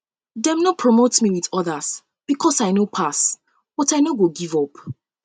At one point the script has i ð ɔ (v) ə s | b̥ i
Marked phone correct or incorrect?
incorrect